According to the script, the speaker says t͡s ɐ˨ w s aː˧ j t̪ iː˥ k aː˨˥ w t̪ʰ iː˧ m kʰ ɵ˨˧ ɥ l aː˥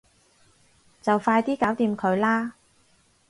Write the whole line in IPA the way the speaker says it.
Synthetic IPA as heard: t͡s ɐ˨ w f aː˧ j t̪ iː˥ k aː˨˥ w t̪ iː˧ m kʰ ɵ˨˧ ɥ l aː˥